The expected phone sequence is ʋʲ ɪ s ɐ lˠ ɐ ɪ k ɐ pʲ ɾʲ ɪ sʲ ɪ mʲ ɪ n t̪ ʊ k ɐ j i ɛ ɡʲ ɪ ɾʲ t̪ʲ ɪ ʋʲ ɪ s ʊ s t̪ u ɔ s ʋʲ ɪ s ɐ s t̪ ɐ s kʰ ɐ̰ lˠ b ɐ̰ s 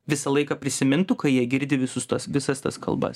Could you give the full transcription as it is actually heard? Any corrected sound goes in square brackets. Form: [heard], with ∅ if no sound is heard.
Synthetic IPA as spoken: ʋʲ ɪ s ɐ lˠ ɐ ɪ k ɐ pʲ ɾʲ ɪ sʲ ɪ mʲ ɪ n t̪ ʊ k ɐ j i ɛ ɡʲ ɪ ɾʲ [d̪ʲ] ɪ ʋʲ ɪ s ʊ s t̪ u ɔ s ʋʲ ɪ s ɐ s t̪ ɐ s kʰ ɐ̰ lˠ b ɐ̰ s